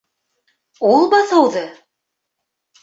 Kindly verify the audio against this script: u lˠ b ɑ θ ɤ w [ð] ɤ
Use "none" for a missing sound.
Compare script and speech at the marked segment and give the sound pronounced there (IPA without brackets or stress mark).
ð